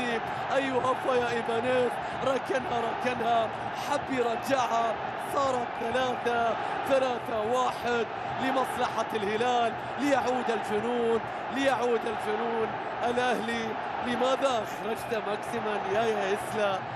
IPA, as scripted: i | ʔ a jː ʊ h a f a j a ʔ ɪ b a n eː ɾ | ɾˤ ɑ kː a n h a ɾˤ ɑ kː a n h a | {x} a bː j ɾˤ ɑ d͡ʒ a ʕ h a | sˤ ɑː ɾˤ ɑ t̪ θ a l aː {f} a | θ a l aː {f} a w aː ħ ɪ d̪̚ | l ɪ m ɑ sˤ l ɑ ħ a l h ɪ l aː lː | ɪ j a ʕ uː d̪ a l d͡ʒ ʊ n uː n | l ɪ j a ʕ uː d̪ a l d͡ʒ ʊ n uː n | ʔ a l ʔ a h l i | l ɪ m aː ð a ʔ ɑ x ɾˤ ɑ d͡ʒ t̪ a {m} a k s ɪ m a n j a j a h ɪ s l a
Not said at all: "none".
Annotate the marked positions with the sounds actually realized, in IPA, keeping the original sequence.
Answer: ħ, θ, θ, m

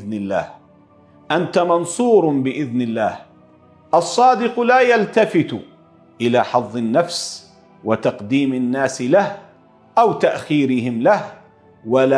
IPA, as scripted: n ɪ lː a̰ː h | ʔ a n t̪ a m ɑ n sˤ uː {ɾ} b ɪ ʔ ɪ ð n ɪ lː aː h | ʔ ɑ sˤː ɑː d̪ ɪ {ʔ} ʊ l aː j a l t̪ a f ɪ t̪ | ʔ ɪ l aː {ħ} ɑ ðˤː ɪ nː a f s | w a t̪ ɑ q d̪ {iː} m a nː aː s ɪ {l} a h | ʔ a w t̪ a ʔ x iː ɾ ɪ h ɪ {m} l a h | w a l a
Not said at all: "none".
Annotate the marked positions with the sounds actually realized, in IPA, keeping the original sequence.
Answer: ɾ, q, ħ, iː, l, m

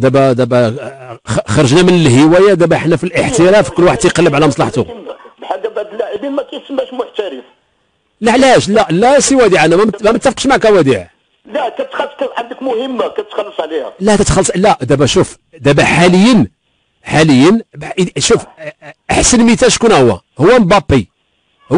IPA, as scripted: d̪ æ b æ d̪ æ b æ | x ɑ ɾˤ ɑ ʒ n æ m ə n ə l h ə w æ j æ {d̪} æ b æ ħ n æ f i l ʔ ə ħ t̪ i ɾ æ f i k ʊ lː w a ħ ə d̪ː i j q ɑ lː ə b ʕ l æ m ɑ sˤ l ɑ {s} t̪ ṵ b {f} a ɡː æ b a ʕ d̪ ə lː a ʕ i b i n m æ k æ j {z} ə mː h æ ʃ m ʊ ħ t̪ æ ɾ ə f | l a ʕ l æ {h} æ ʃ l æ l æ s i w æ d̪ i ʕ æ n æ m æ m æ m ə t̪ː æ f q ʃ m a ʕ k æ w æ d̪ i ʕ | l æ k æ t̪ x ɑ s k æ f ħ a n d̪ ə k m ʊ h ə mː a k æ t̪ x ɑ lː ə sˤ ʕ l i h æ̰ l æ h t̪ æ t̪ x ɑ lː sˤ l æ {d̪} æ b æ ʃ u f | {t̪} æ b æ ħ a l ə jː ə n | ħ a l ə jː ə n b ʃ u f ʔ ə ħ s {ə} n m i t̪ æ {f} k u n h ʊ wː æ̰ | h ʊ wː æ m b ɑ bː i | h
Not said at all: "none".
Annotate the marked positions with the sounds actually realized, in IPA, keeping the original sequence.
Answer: d̪, ħ, ħ, s, h, d̪, d̪, ə, ʃ

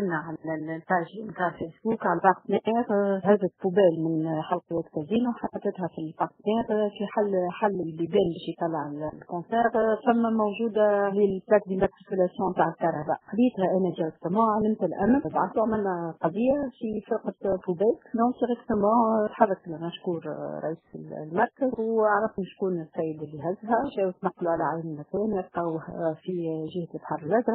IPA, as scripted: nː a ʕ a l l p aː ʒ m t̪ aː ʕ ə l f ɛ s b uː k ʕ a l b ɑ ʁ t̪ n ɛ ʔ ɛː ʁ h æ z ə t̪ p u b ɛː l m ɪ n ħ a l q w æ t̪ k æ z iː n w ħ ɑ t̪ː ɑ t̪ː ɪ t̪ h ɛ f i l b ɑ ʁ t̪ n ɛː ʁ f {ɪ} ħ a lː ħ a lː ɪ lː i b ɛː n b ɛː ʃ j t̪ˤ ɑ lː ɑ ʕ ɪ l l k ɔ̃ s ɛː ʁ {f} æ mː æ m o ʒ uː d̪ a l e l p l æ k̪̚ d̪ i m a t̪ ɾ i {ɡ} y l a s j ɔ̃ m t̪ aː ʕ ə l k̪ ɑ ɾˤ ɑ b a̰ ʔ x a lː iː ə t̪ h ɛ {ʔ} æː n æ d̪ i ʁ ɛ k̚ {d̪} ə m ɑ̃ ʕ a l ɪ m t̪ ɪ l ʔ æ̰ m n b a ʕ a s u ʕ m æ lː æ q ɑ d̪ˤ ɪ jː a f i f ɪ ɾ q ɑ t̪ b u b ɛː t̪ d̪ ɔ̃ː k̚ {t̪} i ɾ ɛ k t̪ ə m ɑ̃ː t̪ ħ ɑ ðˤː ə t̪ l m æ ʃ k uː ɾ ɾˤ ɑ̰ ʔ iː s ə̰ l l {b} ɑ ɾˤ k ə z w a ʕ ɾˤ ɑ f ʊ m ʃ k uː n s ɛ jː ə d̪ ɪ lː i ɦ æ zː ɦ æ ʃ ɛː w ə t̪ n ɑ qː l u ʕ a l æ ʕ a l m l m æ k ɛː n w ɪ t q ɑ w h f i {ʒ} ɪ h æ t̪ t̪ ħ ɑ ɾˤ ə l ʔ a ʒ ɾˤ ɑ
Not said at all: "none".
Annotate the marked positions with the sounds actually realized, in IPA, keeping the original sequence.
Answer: i, f, k, ʔ, t̪, d̪, m, ʒ

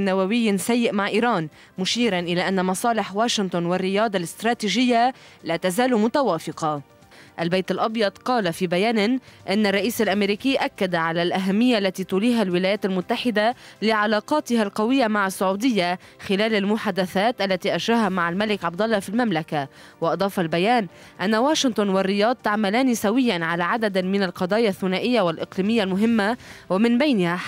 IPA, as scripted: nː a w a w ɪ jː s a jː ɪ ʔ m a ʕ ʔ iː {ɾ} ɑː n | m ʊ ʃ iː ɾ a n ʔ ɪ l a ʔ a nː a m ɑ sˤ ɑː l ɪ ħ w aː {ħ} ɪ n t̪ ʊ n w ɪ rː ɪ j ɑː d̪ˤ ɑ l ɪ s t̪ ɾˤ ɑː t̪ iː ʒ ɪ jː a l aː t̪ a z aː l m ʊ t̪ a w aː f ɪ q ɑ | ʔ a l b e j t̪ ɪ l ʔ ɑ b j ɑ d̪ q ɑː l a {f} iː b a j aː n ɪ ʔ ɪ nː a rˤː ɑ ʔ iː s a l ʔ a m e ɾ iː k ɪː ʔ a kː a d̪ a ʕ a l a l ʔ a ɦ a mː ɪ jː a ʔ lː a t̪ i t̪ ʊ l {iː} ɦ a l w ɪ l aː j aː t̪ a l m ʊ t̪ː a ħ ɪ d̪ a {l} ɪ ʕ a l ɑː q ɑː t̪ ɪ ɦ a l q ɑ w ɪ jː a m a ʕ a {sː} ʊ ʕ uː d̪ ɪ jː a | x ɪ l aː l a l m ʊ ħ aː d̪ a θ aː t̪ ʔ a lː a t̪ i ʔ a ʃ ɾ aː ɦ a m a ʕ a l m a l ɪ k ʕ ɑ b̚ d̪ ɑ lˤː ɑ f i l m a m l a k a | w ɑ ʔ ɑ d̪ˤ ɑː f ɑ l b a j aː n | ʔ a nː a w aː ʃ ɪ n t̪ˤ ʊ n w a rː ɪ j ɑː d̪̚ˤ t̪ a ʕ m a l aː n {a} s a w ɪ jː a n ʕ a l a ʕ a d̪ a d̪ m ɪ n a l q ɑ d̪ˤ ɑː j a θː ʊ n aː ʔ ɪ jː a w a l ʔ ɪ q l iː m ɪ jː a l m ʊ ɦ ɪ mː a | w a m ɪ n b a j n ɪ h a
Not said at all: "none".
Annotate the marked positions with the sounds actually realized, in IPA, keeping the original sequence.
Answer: ɾ, ʃ, f, iː, l, sː, i

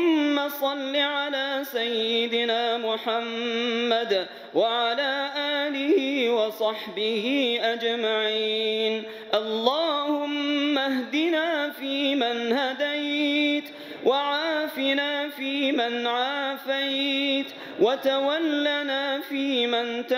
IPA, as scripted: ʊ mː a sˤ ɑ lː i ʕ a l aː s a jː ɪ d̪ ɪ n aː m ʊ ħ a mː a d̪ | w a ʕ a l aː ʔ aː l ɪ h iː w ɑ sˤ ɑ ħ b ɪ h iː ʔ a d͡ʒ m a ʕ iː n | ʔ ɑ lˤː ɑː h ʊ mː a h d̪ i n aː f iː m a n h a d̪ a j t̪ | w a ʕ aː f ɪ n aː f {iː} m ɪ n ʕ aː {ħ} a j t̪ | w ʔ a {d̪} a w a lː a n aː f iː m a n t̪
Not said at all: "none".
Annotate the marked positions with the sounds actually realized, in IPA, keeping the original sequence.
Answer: iː, f, t̪

